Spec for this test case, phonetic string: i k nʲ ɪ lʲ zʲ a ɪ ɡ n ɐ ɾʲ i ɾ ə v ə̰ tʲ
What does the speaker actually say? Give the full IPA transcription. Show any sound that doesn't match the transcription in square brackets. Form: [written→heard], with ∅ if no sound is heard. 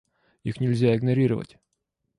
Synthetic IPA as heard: i [k→x] nʲ ɪ lʲ zʲ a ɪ ɡ n ɐ ɾʲ i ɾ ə v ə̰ tʲ